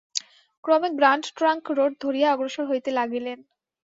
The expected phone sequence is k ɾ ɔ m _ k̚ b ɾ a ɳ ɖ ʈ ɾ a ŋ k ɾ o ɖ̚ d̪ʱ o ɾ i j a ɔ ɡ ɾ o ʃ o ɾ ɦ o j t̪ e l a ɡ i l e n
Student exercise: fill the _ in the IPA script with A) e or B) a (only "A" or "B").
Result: A